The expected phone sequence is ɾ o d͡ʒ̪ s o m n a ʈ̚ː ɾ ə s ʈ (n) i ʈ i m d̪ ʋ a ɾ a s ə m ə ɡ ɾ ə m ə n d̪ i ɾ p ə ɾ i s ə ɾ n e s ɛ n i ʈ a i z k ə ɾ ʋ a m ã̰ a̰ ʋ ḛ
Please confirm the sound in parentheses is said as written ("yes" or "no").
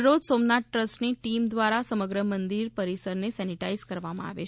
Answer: yes